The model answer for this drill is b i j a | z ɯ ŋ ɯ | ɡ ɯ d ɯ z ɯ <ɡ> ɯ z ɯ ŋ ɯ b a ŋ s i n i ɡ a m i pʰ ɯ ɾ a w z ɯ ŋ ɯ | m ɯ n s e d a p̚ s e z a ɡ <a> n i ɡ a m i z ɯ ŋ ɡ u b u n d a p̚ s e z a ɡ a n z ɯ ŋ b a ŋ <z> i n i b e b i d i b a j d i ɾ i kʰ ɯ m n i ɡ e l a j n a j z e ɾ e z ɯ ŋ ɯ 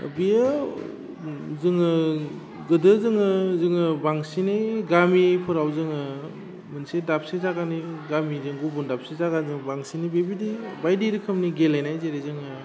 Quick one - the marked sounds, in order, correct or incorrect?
incorrect: ŋ, correct, incorrect: s

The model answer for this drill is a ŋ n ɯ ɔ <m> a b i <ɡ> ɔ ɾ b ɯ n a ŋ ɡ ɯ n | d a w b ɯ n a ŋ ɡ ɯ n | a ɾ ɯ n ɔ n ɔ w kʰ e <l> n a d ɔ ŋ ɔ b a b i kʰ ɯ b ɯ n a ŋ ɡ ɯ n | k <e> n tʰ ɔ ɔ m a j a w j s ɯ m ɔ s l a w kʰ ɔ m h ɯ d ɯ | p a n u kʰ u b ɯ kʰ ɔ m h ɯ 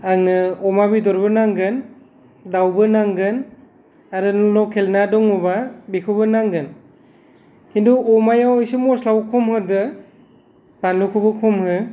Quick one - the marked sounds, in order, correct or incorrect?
correct, incorrect: d, correct, incorrect: i

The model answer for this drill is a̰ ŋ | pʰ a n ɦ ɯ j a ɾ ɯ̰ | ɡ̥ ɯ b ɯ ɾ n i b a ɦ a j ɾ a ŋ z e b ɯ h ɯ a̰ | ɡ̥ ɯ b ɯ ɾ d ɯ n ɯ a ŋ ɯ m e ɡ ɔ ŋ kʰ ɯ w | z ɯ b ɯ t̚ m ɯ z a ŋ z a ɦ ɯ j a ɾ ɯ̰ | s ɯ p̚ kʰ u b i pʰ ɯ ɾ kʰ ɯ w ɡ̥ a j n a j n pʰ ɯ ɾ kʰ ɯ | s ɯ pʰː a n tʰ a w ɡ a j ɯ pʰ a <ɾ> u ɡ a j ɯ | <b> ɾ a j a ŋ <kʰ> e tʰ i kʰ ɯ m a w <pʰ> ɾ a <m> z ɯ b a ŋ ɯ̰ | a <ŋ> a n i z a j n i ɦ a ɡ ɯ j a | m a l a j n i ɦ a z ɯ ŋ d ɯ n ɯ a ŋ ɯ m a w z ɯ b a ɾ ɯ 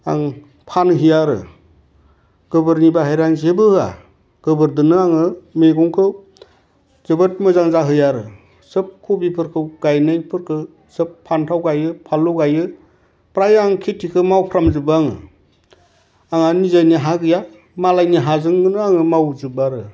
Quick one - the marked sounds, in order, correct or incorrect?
incorrect: l, incorrect: p, correct, correct, correct, correct

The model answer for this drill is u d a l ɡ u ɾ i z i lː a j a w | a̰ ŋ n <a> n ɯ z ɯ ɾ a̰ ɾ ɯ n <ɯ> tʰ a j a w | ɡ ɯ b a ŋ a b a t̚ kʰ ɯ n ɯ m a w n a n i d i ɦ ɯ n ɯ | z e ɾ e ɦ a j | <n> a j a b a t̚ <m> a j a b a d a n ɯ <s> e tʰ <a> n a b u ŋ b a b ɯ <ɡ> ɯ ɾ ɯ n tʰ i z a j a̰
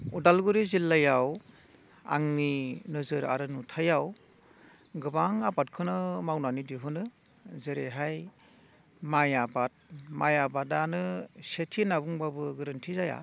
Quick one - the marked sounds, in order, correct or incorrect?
incorrect: i, incorrect: u, incorrect: m, correct, correct, incorrect: i, correct

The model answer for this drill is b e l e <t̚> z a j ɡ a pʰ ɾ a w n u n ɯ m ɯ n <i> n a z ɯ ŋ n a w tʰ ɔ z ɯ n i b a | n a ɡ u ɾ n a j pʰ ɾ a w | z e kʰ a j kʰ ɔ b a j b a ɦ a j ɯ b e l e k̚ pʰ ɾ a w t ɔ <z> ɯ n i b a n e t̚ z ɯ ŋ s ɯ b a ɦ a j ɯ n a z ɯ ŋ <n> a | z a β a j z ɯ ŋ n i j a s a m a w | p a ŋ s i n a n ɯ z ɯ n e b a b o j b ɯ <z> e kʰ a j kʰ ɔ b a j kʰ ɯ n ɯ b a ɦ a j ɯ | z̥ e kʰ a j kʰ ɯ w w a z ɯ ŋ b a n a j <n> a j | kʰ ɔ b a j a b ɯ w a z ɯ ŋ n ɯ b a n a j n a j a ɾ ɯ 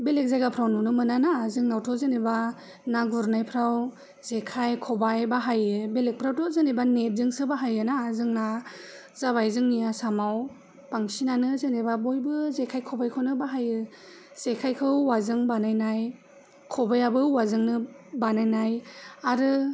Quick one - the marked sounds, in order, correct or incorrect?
incorrect: k̚, incorrect: a, correct, correct, correct, correct

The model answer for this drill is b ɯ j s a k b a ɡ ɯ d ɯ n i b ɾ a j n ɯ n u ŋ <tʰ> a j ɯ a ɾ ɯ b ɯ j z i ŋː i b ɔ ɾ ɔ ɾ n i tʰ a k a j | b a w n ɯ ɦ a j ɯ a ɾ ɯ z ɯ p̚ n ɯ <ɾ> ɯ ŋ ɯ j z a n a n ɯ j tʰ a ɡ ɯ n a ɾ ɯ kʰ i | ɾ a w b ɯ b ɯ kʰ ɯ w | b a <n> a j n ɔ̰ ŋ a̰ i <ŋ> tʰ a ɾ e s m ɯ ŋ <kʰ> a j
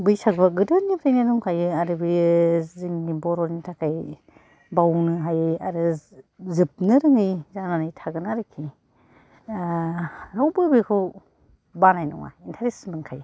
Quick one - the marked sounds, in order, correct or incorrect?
incorrect: kʰ, correct, correct, incorrect: n, correct

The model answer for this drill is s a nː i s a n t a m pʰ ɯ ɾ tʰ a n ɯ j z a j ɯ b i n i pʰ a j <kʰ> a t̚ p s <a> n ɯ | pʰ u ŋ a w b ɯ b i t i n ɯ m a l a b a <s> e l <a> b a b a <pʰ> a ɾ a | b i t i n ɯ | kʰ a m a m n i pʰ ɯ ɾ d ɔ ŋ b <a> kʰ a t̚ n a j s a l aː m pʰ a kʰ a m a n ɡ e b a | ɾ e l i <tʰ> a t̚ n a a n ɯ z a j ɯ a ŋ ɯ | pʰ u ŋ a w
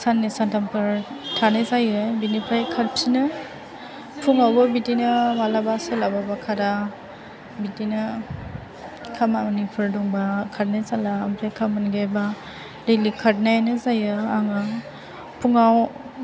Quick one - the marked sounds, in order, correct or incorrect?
correct, incorrect: i, correct, correct, incorrect: kʰ, correct, incorrect: kʰ

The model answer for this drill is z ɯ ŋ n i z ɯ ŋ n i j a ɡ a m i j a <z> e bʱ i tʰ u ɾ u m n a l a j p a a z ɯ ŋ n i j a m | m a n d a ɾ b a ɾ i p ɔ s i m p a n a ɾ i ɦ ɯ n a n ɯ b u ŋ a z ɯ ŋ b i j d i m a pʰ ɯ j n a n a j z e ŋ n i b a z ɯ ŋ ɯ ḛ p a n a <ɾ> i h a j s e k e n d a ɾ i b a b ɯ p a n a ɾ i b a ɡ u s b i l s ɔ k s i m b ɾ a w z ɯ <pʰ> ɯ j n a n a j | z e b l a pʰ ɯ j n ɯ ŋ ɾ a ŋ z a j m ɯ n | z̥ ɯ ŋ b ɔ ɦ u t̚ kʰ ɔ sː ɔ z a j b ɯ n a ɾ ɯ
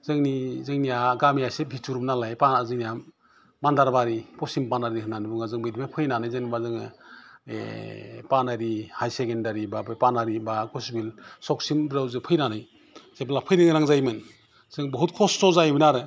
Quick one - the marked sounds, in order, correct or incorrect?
incorrect: s, correct, correct

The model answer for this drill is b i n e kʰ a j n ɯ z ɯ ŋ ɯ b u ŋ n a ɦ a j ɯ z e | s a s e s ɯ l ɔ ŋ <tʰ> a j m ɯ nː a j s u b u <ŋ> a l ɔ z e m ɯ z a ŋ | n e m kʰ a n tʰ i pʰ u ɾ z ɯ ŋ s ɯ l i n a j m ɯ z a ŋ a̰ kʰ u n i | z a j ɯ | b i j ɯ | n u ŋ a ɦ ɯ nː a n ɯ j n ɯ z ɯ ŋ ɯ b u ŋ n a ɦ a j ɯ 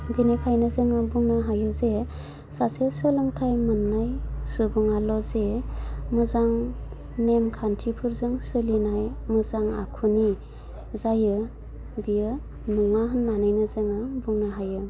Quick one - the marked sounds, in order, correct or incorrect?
correct, correct

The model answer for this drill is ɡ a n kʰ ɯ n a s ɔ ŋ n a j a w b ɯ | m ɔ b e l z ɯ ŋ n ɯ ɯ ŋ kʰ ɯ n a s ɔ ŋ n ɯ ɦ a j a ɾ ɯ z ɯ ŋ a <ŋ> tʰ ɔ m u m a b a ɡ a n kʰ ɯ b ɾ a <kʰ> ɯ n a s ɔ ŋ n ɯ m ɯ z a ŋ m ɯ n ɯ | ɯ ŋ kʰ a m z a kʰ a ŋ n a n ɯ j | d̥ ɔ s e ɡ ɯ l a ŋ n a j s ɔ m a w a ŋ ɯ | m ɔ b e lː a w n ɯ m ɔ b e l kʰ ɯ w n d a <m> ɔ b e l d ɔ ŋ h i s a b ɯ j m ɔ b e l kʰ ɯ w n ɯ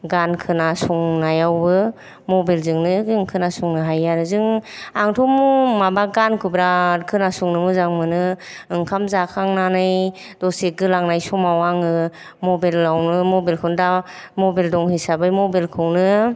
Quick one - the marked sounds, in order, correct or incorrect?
correct, correct, correct

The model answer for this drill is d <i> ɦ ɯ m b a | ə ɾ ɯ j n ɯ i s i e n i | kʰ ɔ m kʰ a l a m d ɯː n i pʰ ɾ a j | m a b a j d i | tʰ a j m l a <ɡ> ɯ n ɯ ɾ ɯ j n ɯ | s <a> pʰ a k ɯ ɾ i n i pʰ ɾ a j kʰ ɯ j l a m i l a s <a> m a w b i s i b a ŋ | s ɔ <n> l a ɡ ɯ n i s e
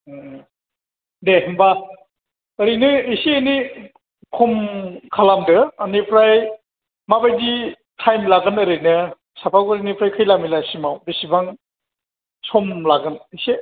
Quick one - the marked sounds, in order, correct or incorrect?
incorrect: e, correct, correct, incorrect: i, incorrect: m

